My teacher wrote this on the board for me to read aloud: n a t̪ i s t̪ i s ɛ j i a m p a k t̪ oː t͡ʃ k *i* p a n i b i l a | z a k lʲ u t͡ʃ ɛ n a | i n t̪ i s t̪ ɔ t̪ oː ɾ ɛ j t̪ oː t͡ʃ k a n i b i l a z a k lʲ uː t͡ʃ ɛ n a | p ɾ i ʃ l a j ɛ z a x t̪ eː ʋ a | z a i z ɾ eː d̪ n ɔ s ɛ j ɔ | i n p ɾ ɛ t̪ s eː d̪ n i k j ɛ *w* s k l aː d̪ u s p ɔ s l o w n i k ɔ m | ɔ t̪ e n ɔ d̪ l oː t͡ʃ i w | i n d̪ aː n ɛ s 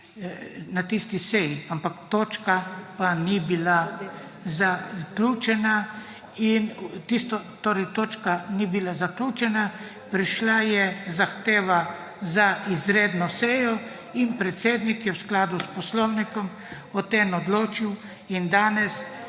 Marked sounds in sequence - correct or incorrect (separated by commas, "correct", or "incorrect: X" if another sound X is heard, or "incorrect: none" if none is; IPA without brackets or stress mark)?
incorrect: a, correct